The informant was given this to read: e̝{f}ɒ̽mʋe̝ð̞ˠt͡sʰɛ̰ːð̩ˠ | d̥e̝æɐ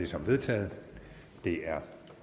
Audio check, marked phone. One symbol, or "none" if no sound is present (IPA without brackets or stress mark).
s